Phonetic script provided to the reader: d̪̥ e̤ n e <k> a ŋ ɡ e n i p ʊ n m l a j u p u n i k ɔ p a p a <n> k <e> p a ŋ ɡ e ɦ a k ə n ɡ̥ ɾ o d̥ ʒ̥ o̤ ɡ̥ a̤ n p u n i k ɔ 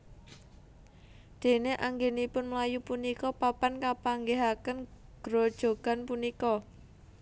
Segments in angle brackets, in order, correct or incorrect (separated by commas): incorrect, correct, incorrect